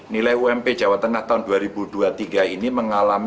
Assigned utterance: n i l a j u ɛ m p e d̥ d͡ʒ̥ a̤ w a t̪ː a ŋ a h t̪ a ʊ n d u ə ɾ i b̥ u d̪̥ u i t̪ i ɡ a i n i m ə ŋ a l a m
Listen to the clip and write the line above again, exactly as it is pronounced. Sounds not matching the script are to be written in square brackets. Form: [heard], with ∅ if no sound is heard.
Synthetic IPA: n i l a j u ɛ m p e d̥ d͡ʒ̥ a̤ w a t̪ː [ə] ŋ a h t̪ a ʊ n d u [a] ɾ i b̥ u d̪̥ u [a] t̪ i ɡ a i n i m ə ŋ a l a m

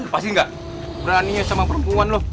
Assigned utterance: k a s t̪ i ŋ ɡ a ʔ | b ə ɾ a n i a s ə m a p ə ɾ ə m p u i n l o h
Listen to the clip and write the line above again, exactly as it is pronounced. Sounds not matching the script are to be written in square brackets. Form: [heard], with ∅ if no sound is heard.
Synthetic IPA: [p] a s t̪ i ŋ ɡ a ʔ | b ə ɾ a n i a s [a] m a p ə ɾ ə m p u [a] n l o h

